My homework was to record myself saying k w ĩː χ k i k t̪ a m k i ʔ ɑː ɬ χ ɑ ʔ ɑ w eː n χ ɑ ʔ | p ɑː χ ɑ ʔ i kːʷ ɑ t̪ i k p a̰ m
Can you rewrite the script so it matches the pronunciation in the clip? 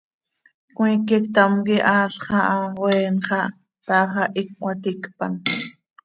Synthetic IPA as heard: k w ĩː k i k t̪ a m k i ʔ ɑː ɬ χ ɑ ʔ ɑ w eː n χ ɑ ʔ | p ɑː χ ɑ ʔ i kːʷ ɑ t̪ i k p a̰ n

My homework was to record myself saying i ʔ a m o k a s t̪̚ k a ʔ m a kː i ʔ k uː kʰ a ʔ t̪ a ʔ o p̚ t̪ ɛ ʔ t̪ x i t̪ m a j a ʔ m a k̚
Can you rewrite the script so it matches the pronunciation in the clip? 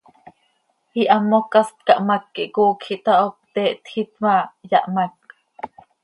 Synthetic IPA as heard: i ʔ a m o k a s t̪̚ k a ʔ m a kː i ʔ k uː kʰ i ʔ t̪ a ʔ o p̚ t̪ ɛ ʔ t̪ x i t̪ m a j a ʔ m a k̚

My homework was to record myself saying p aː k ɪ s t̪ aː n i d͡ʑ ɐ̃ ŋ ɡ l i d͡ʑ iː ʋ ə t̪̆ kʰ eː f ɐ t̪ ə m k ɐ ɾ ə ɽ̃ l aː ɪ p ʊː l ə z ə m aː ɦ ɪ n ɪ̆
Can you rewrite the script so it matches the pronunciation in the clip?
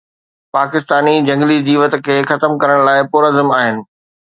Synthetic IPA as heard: p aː k ɪ s t̪ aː n i d͡ʑ ɐ̃ ŋ ɡ l i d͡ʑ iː ʋ ə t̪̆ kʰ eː x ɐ t̪ ə m k ɐ ɾ ə ɽ̃ l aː ɪ p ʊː ɾ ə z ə m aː ɦ ɪ n ɪ̆

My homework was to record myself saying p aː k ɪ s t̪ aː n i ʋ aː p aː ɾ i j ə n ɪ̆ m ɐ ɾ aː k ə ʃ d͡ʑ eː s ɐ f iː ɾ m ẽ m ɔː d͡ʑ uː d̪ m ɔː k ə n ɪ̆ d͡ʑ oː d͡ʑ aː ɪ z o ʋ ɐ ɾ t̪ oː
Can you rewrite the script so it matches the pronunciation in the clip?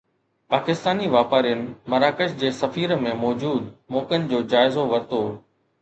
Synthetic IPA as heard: p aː k ɪ s t̪ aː n i ʋ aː p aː ɾ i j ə n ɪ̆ m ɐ ɾ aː k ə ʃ d͡ʑ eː s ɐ f iː ɾ m ẽ m ɔː d͡ʑ uː d̪ m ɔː k ə n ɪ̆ d͡ʑ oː d͡ʑ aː ɪ z o ʋ ɐ ɾ t̪ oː

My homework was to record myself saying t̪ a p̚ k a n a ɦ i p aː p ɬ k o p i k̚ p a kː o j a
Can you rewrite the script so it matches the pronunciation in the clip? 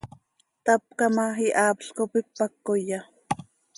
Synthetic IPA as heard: t̪ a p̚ k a m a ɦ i ʔ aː p ɬ k o p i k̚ p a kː o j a

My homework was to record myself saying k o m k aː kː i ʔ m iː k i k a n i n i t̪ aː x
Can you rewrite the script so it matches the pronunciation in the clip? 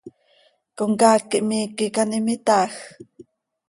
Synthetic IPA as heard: k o ŋ k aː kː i ʔ m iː k i k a n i m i t̪ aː x

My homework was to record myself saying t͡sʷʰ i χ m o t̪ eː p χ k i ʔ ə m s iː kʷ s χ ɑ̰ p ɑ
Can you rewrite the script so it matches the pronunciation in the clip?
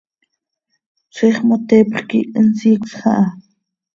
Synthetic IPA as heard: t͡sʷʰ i χ m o t̪ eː p χ k i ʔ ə n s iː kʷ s χ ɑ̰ ʔ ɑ

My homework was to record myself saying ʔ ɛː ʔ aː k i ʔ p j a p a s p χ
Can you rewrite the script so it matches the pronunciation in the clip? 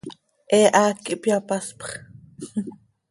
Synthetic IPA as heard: ʔ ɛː ʔ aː k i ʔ p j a p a s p χ

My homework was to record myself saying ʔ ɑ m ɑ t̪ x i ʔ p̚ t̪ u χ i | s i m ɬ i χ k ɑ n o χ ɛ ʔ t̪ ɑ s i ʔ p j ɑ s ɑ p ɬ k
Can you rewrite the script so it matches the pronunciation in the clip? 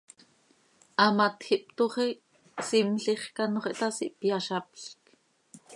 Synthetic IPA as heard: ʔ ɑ m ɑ t̪ x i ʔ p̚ t̪ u χ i | s i m ɬ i χ k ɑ n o χ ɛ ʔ t̪ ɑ s i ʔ p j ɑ ʃ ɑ p ɬ k

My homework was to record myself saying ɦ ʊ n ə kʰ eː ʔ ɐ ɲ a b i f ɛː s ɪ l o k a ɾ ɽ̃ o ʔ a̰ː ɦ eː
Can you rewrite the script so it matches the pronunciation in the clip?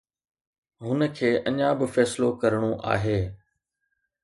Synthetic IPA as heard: ɦ ʊ n ə kʰ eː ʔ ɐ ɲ a b ɪ f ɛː s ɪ l o k ɐ ɾ ɽ̃ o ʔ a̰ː ɦ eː

